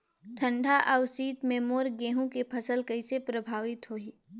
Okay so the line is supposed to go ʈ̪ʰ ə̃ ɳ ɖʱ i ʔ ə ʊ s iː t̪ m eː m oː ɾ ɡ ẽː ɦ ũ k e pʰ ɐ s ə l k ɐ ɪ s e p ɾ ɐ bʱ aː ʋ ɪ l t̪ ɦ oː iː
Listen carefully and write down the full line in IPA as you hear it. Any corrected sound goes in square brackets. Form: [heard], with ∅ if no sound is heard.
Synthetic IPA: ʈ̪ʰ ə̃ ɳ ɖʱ [a] ʔ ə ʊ s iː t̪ m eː m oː ɾ ɡ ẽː ɦ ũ k e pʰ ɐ s ə l k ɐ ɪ s e p ɾ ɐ bʱ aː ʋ ɪ [∅] t̪ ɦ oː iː